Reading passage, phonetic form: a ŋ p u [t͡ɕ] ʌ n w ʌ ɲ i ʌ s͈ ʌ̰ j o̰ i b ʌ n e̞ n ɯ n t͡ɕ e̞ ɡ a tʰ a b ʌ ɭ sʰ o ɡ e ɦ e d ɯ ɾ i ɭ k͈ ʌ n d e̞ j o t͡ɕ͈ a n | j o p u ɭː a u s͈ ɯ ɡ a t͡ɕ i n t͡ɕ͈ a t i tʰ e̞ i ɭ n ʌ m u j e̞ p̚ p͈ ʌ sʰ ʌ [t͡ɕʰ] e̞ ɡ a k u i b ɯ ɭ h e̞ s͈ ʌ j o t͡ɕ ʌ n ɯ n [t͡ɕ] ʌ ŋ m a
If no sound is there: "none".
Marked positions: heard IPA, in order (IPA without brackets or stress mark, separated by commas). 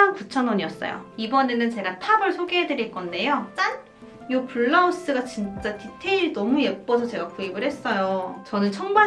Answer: t͡ɕʰ, t͡ɕ, t͡ɕʰ